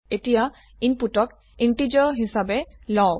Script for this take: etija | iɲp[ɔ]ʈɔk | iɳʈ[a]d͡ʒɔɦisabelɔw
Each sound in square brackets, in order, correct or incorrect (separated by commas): incorrect, incorrect